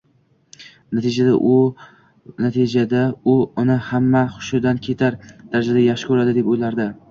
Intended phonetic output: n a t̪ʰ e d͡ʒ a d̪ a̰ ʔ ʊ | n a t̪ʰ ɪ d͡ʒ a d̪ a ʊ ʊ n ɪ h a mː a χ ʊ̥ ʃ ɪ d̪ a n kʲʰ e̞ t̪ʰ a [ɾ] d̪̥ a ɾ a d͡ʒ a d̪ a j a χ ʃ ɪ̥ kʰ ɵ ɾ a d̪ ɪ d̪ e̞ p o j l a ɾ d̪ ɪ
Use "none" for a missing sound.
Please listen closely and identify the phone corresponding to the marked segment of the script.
ɾ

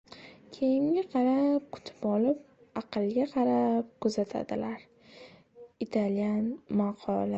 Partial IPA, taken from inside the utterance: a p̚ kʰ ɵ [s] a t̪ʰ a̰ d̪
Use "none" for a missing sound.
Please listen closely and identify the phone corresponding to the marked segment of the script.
z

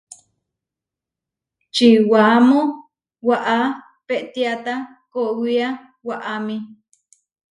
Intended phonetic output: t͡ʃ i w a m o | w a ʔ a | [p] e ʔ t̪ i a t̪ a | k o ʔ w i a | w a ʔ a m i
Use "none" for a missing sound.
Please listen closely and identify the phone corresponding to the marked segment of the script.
p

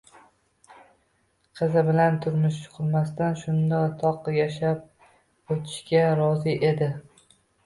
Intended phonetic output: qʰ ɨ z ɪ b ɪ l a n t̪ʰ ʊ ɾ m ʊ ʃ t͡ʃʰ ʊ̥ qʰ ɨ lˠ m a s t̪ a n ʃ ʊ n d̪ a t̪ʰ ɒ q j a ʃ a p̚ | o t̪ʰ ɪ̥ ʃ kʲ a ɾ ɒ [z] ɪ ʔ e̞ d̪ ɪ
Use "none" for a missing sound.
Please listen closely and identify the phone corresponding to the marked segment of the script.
z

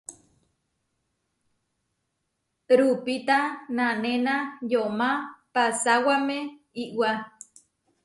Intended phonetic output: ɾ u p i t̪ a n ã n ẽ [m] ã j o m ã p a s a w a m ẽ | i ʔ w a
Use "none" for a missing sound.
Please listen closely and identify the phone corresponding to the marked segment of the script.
n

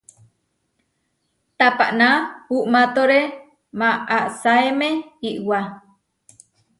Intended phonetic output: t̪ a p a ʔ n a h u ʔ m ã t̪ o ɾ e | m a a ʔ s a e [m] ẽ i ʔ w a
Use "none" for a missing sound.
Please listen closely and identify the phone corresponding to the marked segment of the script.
m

